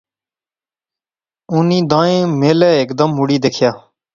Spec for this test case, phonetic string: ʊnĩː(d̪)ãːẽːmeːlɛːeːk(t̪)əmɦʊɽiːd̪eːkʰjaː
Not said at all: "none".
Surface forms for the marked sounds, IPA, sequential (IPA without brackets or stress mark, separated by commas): d̪, d̪